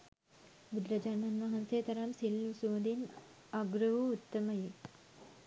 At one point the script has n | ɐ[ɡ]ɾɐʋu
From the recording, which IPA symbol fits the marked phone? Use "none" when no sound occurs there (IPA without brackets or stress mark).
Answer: ɡ